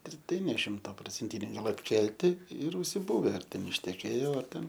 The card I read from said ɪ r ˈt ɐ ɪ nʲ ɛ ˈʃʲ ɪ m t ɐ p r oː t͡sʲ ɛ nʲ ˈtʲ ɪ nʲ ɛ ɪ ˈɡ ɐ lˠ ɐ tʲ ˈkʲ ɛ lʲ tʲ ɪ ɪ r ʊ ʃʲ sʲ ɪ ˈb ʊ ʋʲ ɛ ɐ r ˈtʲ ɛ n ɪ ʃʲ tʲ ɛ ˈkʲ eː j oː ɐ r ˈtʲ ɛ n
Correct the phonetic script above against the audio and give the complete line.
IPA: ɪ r ˈt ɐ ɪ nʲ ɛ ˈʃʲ ɪ m t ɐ p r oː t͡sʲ ɛ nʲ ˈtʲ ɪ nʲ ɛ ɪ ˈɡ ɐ lˠ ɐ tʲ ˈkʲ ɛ lʲ tʲ ɪ ɪ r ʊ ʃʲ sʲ ɪ ˈb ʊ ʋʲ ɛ ɐ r ˈtʲ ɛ n ɪ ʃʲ tʲ ɛ ˈkʲ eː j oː ɐ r ˈtʲ ɛ n

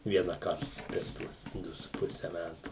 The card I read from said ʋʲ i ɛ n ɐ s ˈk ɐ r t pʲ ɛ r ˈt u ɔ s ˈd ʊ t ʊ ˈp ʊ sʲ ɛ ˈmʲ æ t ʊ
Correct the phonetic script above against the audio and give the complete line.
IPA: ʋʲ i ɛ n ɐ ˈk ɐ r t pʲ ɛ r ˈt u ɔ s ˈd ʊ s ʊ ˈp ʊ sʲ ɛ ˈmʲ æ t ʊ

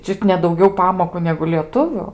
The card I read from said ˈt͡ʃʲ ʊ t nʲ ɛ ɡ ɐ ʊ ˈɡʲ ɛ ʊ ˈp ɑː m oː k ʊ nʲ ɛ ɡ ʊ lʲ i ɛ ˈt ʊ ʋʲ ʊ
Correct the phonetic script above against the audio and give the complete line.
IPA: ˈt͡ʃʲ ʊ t nʲ ɛ d ɐ ʊ ˈɡʲ ɛ ʊ ˈp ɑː m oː k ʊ nʲ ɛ ɡ ʊ lʲ i ɛ ˈt ʊ ʋʲ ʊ

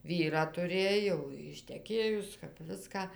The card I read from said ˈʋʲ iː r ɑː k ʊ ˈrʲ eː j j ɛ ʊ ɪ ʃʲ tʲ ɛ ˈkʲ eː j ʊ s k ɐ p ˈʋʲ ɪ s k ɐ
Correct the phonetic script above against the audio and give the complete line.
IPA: ˈʋʲ iː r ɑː t ʊ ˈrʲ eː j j ɛ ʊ ɪ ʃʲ tʲ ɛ ˈkʲ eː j ʊ s k ɐ p ˈʋʲ ɪ s k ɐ

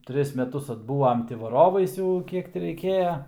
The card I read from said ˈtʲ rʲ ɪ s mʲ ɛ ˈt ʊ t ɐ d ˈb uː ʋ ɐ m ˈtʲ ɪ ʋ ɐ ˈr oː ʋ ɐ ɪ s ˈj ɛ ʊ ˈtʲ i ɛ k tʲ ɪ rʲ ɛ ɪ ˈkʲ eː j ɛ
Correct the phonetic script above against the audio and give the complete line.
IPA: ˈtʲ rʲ ɪ s mʲ ɛ ˈt ʊ s ɐ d ˈb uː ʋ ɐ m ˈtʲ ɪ ʋ ɐ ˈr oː ʋ ɐ ɪ s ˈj ɛ ʊ ˈkʲ i ɛ k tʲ ɪ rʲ ɛ ɪ ˈkʲ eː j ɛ

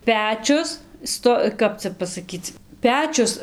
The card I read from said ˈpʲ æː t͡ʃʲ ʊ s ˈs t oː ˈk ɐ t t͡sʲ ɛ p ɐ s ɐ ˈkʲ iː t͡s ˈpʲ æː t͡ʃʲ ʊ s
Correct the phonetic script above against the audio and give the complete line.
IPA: ˈpʲ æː t͡ʃʲ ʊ s ˈs t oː ˈk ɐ p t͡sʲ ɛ p ɐ s ɐ ˈkʲ iː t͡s ˈpʲ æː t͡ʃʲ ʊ s

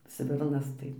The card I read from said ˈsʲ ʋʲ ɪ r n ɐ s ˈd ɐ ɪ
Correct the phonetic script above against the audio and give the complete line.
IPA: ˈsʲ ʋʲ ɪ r n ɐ s ˈt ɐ ɪ

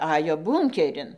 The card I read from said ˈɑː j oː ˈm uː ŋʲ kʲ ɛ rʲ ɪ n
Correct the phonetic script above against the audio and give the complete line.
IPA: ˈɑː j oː ˈb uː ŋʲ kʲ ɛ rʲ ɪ n

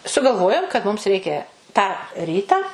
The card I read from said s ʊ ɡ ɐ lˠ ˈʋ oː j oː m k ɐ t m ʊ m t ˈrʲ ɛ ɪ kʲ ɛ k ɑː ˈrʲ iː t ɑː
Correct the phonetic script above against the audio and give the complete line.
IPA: s ʊ ɡ ɐ lˠ ˈʋ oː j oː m k ɐ t m ʊ m s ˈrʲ ɛ ɪ kʲ ɛ t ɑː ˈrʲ iː t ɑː

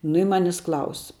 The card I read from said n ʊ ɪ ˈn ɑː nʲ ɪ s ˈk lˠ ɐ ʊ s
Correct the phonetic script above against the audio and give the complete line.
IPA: n ʊ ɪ ˈm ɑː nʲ ɪ s ˈk lˠ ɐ ʊ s

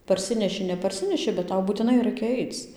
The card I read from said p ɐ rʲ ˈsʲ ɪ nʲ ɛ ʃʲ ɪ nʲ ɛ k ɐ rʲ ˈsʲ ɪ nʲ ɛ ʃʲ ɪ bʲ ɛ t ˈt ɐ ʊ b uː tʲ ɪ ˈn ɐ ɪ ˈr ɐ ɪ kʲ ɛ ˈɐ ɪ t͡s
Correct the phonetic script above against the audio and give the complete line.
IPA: p ɐ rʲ ˈsʲ ɪ nʲ ɛ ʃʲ ɪ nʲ ɛ p ɐ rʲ ˈsʲ ɪ nʲ ɛ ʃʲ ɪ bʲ ɛ t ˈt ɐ ʊ b uː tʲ ɪ ˈn ɐ ɪ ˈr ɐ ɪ kʲ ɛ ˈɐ ɪ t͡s

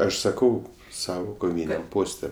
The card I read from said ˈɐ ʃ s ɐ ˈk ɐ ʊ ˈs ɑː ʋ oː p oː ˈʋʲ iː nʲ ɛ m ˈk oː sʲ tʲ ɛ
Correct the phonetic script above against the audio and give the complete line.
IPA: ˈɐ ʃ s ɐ ˈk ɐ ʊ ˈs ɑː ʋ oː k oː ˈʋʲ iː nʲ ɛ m ˈp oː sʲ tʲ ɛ

